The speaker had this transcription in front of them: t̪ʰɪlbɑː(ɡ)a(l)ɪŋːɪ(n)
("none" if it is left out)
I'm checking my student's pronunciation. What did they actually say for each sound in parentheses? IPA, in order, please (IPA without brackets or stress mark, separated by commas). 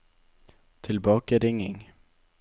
k, ɾ, ŋ